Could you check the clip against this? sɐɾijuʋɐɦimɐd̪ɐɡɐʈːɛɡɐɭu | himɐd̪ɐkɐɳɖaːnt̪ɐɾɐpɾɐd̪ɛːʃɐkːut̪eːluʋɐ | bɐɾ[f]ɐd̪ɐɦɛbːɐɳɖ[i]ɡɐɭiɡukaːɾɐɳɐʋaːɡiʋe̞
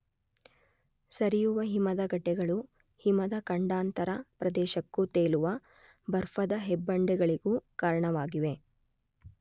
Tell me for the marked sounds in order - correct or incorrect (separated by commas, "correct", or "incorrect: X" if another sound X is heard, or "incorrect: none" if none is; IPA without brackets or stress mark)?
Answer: correct, incorrect: ɛ